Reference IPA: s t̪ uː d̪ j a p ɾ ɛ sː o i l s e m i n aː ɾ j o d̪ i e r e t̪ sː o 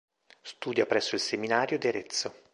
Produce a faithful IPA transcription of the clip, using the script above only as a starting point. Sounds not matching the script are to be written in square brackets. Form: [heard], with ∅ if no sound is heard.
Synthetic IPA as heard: s t̪ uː d̪ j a p ɾ ɛ sː o i l s e m i n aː ɾ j o d̪ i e [ɾ] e t̪ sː o